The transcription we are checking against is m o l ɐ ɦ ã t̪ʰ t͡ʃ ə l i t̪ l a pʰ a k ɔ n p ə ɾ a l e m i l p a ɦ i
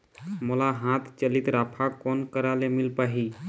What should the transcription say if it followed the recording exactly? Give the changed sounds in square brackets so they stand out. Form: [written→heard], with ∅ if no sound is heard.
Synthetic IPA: m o l [ɐ→a] ɦ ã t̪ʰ t͡ʃ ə l i t̪ [l→ɾ] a pʰ a k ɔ n [p→k] ə ɾ a l e m i l p a ɦ i